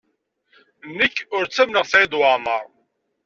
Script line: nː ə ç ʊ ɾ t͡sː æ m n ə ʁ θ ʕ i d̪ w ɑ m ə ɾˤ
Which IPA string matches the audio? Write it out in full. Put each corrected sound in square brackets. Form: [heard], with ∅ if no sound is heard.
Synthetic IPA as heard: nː ə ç ʊ ɾ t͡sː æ m n ə ʁ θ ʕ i d̪ w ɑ m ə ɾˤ